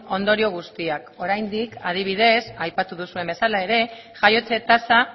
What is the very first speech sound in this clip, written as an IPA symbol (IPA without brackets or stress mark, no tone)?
o̞